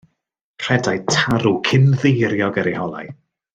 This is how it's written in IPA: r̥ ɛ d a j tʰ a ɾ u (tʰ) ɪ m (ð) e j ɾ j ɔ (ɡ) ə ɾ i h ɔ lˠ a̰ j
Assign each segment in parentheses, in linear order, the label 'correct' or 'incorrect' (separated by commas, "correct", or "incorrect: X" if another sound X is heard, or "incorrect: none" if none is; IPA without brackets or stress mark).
incorrect: kʰ, correct, correct